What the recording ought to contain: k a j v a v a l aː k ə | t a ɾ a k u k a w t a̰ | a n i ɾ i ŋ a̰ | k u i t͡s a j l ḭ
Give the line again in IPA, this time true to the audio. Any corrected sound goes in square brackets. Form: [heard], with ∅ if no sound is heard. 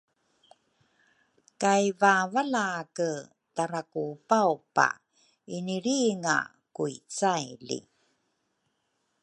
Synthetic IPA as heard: k a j v a v a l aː k ə | t a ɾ a k u [p] a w [p] a̰ | [i] n i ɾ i ŋ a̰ | k u i t͡s a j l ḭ